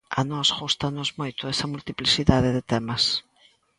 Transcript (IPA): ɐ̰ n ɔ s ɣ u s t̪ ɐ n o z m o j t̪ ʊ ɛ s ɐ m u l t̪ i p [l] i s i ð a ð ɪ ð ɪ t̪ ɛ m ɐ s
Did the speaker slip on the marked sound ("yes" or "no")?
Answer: no